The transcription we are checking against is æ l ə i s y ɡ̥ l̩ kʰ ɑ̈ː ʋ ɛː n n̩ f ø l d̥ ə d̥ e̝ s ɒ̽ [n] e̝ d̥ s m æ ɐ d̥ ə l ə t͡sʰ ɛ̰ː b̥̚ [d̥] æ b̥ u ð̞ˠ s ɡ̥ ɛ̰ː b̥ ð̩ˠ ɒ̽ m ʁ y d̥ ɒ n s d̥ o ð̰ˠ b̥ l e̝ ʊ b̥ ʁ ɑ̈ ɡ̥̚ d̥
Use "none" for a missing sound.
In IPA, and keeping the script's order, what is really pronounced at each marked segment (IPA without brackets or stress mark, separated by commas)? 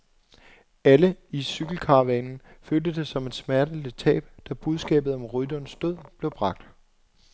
m, d̥